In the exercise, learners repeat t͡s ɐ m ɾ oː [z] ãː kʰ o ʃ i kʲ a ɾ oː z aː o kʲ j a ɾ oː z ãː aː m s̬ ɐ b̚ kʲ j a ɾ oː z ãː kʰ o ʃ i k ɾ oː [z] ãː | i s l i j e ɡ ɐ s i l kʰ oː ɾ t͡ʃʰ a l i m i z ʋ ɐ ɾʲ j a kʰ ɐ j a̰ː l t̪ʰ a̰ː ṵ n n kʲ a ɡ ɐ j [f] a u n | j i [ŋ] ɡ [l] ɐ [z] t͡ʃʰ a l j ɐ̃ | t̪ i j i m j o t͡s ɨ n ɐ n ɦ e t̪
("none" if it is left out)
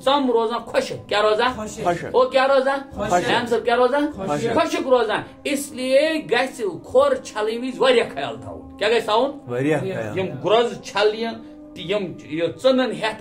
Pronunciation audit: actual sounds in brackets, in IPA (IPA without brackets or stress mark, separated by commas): z, z, s, m, ɾ, z